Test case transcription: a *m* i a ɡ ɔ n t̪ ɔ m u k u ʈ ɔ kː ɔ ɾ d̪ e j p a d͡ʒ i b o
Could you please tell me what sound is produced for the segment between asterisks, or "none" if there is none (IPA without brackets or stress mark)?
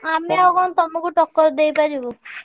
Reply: m